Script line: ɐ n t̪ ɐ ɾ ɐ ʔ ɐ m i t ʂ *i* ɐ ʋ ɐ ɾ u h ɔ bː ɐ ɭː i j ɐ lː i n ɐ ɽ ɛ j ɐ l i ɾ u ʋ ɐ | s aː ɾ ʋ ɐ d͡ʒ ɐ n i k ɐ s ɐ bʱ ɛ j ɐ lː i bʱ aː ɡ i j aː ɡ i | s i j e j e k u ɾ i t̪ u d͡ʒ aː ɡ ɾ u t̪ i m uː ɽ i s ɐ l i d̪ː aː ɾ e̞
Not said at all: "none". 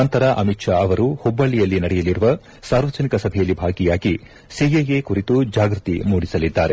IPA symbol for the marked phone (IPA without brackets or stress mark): a